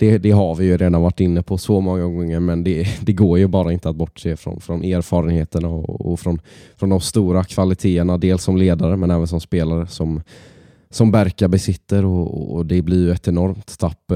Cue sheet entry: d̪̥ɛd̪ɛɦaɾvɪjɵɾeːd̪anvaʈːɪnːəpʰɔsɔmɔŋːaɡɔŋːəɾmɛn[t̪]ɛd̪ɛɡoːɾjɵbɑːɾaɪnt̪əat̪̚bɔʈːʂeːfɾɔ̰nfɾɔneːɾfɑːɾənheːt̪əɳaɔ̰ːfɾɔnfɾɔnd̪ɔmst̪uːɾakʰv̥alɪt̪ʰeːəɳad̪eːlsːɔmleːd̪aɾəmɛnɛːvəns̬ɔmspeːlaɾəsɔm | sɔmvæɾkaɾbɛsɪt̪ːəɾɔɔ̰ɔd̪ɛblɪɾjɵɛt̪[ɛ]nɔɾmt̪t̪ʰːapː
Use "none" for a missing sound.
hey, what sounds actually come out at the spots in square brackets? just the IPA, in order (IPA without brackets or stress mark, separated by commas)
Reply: d̪, ɛ